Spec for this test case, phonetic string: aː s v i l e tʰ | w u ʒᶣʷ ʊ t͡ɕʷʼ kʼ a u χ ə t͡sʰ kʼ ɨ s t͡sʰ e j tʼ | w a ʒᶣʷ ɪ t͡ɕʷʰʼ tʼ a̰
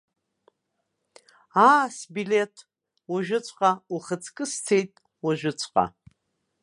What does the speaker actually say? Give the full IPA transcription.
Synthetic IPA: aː s b i l e tʰ | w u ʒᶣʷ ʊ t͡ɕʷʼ qʼ a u χ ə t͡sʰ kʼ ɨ s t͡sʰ e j tʼ | w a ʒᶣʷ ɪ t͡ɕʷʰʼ qʼ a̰

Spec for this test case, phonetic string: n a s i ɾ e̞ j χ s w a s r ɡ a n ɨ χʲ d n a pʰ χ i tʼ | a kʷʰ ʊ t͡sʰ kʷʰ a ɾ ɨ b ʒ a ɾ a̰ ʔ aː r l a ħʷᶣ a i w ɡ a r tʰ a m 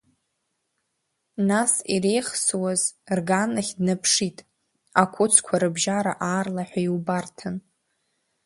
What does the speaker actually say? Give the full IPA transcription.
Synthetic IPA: n a s i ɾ e̞ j χ s w a z r ɡ a n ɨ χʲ d n a pʰ ʂ i tʼ | a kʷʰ ʊ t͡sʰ kʷʰ a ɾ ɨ b ʒ a ɾ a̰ ʔ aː r l a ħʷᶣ a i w b a r tʰ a n

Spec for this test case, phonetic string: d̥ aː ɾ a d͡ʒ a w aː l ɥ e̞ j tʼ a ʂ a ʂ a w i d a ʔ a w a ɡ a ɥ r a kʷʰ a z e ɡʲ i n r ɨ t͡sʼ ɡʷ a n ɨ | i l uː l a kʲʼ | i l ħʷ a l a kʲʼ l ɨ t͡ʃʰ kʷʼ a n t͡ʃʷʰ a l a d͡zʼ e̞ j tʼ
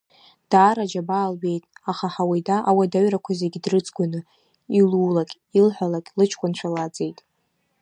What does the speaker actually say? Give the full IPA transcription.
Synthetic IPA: d̥ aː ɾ a d͡ʒ a b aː l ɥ e̞ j tʼ a χ a ħ a w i d a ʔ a w a d a ɥ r a kʷʰ a z e ɡʲ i d r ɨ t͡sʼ ɡʷ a n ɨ | i l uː l a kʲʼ | i l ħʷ a l a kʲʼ l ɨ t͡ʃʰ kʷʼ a n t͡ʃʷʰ a l a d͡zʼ e̞ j tʼ

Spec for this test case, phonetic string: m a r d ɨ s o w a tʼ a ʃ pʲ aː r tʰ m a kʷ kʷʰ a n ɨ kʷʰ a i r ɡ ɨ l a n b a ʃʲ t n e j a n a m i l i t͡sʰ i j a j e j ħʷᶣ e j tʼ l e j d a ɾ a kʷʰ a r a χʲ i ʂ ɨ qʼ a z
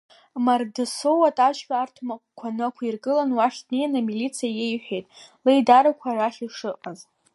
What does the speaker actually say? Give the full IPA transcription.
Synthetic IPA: m a r d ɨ s o w a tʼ a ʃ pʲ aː r tʰ m a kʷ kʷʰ a n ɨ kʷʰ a i r ɡ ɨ l a n w a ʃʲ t n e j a n a m i l i t͡sʰ i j a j e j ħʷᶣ e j tʼ l e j d a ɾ a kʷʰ a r a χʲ i ʂ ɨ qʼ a z

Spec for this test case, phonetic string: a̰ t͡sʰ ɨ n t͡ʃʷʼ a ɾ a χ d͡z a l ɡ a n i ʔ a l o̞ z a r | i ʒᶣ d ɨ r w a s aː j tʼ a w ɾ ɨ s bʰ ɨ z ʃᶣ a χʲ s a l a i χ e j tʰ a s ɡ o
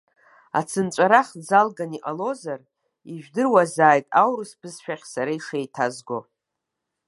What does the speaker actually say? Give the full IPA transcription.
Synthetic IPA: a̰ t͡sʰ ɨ n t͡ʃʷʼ a ɾ a χ d͡z a l ɡ a n i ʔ a l o̞ z a r | i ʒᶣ d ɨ r w a z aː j tʼ a w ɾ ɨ s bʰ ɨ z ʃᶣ a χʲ s a ɾ a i ʂ e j tʰ a z ɡ o

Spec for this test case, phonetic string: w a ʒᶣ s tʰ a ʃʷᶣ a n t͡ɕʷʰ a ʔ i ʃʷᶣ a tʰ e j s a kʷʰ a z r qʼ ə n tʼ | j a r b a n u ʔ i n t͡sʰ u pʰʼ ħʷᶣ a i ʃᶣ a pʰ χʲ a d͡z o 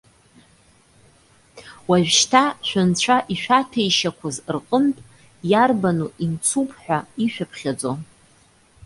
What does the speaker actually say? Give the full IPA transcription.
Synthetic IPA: w a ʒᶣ ʃ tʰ a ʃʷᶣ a n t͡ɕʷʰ a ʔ i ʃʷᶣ a tʰ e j ʃ a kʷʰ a z r qʼ ə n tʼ | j a r b a n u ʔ i n t͡sʰ u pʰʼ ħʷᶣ a i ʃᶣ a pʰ χʲ a d͡z o

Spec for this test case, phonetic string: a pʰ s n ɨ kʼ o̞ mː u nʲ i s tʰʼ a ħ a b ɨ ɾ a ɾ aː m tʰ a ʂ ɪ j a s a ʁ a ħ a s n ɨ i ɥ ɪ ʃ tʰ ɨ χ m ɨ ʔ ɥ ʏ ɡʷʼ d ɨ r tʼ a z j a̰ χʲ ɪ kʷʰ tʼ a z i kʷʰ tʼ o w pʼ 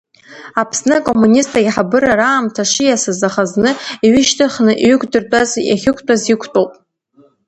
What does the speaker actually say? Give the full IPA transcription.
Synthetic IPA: a pʰ s n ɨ kʼ o̞ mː u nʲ i s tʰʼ a ħ a b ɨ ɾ a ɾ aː m tʰ a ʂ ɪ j a s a z a χ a z n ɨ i ɥ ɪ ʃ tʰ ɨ χ n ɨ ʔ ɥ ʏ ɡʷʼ d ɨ r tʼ a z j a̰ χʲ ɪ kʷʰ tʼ a z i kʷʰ tʼ o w pʼ

